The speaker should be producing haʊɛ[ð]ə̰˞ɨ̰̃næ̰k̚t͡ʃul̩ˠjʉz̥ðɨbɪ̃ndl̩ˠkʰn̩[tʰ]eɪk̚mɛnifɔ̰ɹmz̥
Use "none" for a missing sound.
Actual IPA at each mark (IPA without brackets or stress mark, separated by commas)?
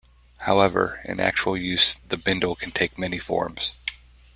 v, tʰ